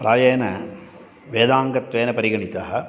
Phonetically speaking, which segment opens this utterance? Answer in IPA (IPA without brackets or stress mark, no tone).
ɾ